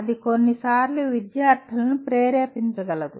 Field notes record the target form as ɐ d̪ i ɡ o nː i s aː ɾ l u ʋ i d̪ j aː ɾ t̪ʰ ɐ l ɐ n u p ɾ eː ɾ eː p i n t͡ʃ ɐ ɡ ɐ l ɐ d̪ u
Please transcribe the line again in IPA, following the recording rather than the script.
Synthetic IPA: ɐ d̪ i k o nː i s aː ɾ l u ʋ i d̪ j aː ɾ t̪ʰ ɐ l ɐ n u p ɾ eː ɾ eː p i n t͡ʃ ɐ ɡ ɐ l ɐ d̪ u